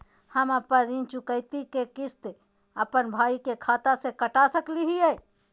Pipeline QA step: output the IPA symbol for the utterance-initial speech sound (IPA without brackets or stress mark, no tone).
h